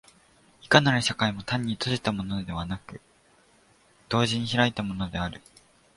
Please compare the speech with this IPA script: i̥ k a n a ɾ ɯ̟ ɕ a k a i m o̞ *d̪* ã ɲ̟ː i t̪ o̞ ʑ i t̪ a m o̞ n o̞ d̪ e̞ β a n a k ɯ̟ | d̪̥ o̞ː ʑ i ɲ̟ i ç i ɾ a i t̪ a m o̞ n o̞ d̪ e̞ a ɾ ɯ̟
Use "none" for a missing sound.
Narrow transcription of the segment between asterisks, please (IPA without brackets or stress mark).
t̪